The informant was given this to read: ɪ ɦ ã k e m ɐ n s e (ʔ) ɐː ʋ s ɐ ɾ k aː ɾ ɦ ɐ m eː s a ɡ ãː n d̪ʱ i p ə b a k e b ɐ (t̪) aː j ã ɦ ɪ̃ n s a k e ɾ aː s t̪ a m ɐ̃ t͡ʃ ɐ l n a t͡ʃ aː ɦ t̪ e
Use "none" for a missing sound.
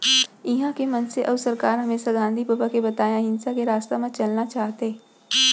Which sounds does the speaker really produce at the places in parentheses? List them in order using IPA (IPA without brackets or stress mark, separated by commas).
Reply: ʔ, t̪